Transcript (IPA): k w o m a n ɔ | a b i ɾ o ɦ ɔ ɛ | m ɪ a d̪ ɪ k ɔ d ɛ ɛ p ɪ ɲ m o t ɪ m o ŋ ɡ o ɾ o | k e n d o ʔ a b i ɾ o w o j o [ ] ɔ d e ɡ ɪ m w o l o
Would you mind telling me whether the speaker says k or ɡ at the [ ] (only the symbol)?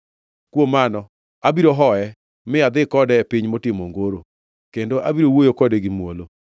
k